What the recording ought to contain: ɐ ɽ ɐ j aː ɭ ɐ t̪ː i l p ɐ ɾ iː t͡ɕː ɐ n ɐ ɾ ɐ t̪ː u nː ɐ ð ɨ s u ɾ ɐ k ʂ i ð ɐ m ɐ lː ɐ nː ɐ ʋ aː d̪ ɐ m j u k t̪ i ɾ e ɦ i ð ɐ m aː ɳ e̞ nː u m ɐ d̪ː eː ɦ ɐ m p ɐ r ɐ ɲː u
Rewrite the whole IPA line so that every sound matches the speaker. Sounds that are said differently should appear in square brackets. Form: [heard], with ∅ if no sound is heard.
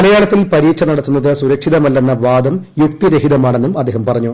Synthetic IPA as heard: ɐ [l] ɐ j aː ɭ ɐ t̪ː i l p ɐ ɾ iː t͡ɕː ɐ n ɐ [ɽ] ɐ t̪ː u nː ɐ ð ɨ s u ɾ ɐ k ʂ i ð ɐ m ɐ lː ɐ nː ɐ ʋ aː d̪ ɐ m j u k t̪ i ɾ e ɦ i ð ɐ m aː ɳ e̞ nː u m ɐ d̪ː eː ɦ ɐ m p ɐ r ɐ ɲː u